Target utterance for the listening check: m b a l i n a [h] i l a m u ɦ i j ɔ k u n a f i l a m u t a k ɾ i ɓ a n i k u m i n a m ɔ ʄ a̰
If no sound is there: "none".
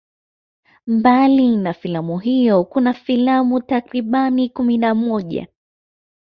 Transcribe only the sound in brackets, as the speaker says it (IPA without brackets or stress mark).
f